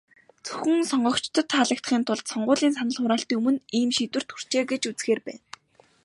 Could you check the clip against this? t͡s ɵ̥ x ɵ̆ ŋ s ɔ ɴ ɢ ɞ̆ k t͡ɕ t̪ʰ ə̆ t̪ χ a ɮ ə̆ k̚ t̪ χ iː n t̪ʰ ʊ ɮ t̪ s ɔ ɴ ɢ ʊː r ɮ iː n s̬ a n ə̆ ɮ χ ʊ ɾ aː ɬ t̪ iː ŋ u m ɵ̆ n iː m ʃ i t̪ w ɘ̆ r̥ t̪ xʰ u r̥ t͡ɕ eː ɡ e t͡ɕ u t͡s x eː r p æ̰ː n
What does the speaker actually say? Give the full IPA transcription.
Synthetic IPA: t͡s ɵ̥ x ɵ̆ ŋ s ɔ ɴ ɢ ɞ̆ k t͡ɕ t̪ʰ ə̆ t̪ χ a ɮ ə̆ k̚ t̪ χ iː n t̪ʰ ʊ ɮ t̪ s ɔ ɴ ɢ ʊː ɮ iː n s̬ a n ə̆ ɮ χ ʊ ɾ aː ɬ t̪ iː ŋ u m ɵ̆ n iː m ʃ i t̪ w ɘ̆ r̥ t̪ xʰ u r̥ t͡ɕ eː ɡ e t͡ɕ u t͡s x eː r p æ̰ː n